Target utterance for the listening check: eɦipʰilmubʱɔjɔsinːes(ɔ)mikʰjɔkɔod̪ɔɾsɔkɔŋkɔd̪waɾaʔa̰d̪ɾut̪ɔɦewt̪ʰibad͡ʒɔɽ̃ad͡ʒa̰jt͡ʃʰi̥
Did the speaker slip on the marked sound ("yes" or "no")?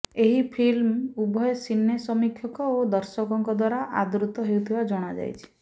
no